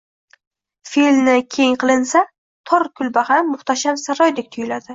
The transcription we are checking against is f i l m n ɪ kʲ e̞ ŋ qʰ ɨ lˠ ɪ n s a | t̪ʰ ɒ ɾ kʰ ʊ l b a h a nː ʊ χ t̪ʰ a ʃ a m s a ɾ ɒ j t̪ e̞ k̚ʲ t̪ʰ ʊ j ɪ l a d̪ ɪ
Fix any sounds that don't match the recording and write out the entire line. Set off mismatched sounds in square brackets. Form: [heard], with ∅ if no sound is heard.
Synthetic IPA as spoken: f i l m n ɪ [kʲʰ] e̞ ŋ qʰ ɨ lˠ ɪ n s a | t̪ʰ ɒ ɾ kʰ ʊ l b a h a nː ʊ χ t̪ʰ a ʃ a m s a ɾ ɒ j [d̪] e̞ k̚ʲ t̪ʰ ʊ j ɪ l a d̪ ɪ